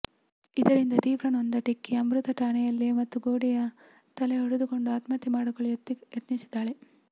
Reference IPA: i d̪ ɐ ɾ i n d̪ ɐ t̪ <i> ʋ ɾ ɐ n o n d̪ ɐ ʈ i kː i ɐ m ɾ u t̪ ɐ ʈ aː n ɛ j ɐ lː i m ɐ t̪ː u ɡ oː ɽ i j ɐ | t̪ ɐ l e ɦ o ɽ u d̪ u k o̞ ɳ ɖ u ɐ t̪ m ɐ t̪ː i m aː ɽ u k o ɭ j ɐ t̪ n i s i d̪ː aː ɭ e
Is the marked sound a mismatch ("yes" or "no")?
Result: yes